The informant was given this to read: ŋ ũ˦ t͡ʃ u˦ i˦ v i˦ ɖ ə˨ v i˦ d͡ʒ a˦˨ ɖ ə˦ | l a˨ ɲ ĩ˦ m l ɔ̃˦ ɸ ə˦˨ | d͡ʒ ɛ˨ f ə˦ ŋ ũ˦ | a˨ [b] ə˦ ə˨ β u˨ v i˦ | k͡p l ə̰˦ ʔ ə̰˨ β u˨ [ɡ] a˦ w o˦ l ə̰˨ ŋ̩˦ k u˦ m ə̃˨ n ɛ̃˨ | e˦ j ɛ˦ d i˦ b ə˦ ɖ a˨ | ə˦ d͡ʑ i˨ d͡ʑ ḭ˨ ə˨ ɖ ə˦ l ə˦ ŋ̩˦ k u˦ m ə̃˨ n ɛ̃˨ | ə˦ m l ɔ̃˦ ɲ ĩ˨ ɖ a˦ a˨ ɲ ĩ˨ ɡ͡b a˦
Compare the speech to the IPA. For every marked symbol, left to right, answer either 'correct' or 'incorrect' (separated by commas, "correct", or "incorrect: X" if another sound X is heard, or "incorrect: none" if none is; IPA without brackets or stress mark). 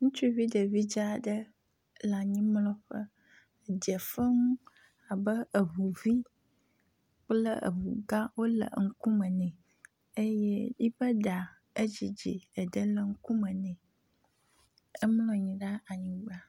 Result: correct, correct